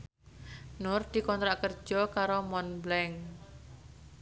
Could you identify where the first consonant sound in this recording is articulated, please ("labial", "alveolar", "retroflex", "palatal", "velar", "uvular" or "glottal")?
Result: alveolar